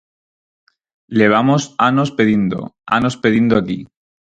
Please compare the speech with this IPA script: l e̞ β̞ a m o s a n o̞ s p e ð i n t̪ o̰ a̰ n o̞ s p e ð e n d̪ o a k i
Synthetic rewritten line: l e̞ β̞ a m o s a n o̞ s p e ð i n d̪ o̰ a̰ n o̞ s p e ð i n d̪ o a k i